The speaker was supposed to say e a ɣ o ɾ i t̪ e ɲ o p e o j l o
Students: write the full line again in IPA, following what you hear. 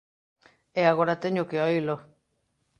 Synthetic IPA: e a ɣ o ɾ a t̪ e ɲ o k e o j l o